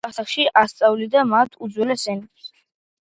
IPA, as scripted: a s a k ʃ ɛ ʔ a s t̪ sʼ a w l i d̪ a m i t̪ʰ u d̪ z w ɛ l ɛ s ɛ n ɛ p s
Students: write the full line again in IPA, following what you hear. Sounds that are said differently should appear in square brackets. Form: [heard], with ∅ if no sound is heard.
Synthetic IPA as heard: a s a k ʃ [i] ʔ a s t̪ sʼ a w l i d̪ a m [a] t̪ʰ u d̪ z w ɛ l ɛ s ɛ n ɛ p s